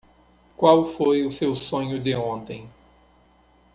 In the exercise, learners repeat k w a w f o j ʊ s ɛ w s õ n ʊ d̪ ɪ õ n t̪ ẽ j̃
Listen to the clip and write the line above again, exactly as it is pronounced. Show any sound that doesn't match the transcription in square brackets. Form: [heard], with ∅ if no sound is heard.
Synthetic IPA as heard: k w a w f o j ʊ s [e] w s õ [ɲ] ʊ d̪ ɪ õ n t̪ ẽ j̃